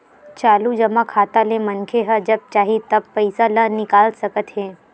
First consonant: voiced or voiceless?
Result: voiceless